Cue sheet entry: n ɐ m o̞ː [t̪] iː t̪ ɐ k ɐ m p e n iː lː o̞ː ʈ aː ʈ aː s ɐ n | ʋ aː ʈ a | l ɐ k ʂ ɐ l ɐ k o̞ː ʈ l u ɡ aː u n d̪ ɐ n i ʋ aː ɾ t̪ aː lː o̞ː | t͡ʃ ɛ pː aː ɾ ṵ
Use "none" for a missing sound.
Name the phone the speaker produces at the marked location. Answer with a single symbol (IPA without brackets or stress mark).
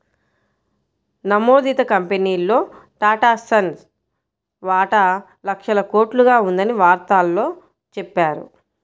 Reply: d̪